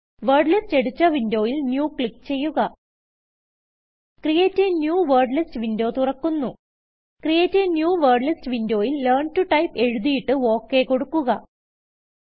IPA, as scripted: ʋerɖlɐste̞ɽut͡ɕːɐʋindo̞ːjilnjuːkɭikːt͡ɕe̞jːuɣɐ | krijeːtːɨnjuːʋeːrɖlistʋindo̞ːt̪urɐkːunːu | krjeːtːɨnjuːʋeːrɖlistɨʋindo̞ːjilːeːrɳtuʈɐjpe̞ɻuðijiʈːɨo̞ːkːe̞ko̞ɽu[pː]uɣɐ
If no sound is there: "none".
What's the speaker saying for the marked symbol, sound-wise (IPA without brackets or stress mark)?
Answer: kː